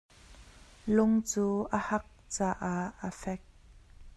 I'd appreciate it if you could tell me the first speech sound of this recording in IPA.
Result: l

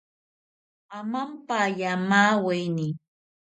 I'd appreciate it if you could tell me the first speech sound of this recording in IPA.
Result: a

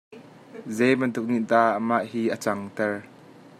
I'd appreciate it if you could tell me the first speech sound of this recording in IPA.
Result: z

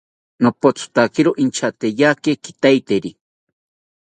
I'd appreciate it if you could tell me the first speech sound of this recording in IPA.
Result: n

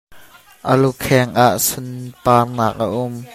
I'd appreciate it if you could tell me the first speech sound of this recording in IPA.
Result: ʔ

